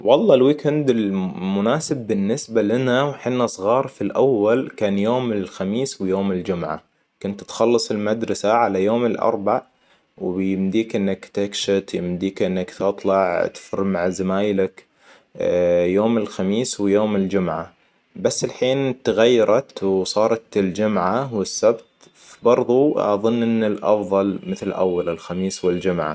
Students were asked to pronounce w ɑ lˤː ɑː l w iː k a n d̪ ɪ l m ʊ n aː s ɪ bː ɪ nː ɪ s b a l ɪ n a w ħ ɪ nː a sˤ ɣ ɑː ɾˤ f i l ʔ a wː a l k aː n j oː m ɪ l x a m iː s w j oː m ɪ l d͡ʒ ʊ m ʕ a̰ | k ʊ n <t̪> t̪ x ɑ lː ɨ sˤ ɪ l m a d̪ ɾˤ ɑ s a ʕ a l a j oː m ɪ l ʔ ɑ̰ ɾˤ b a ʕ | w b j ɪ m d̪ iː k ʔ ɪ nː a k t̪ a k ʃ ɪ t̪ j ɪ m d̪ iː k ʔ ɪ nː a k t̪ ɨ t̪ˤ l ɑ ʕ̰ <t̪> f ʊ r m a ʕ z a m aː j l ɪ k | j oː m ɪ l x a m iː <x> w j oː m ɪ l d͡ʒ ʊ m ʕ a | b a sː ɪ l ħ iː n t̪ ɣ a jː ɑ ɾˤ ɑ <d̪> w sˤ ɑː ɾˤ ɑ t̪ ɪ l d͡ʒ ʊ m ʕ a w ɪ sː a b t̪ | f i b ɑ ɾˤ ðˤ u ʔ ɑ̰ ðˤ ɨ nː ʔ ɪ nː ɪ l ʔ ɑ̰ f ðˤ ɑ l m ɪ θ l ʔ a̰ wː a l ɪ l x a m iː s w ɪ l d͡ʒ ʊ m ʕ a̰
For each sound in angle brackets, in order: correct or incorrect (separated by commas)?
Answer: correct, correct, incorrect, incorrect